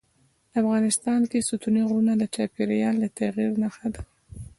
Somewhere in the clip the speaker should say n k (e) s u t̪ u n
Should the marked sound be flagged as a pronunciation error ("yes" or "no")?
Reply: no